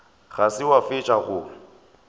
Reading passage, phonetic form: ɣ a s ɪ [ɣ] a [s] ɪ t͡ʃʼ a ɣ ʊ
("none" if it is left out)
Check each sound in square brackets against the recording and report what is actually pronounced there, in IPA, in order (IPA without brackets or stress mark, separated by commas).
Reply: w, f